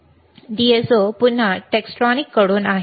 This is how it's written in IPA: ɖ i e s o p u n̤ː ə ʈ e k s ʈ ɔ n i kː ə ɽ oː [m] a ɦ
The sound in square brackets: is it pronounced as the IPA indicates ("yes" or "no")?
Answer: no